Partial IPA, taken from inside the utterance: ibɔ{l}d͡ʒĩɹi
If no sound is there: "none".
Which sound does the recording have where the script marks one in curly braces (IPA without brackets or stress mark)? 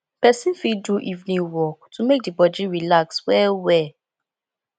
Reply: none